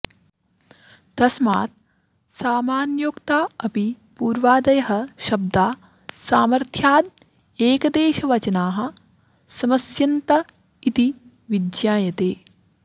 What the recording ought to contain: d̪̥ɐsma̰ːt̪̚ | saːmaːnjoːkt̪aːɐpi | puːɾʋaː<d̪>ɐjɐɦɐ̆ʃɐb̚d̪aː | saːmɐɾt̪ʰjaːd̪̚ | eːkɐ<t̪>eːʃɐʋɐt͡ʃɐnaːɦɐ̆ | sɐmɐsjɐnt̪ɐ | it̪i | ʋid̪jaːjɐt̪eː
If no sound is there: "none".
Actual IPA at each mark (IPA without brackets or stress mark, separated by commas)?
d̪, d̪